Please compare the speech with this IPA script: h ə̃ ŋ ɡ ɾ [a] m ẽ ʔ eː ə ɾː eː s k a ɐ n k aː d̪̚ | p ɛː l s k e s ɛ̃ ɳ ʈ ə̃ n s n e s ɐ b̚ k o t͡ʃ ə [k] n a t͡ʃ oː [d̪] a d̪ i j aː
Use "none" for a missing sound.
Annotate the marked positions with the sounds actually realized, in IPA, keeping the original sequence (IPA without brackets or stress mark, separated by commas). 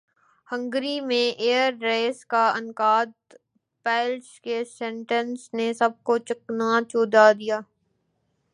i, k, d̪